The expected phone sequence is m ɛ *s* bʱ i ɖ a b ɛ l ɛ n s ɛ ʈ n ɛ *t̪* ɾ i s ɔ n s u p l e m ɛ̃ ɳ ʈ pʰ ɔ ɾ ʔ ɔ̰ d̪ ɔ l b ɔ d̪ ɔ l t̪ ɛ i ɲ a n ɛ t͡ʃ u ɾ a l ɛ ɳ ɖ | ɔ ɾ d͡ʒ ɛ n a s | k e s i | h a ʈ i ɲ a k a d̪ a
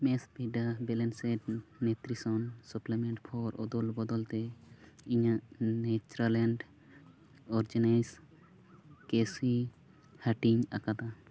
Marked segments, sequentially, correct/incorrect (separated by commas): correct, correct